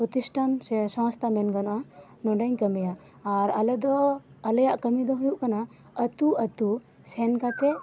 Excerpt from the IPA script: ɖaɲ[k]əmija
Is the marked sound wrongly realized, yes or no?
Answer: no